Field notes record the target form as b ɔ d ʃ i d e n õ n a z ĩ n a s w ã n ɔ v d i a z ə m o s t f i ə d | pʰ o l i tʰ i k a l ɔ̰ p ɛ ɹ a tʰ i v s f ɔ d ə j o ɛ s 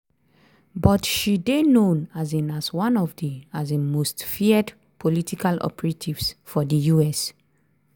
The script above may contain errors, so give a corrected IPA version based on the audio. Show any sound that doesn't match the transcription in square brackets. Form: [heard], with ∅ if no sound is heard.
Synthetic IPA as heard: b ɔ [t] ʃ i d e n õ n a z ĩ n a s w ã n ɔ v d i a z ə m o s t f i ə d | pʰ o l i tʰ i k a l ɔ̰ p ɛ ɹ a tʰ i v s f ɔ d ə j [u] ɛ s